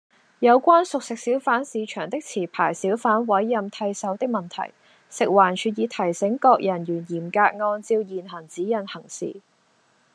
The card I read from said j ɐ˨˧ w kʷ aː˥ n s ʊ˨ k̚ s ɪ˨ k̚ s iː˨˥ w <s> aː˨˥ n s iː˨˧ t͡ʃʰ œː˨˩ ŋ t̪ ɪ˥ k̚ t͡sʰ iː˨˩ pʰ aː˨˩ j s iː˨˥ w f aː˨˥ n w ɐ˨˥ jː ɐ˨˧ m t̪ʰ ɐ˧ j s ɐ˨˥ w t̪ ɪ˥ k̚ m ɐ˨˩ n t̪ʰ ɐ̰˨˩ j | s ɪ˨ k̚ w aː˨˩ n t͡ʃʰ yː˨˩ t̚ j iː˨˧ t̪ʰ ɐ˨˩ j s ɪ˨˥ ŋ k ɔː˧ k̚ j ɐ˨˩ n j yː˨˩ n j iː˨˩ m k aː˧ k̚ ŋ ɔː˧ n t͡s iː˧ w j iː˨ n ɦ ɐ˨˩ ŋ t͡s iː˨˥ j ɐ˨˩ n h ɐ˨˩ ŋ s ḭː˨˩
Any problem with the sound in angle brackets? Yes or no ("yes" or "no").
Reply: yes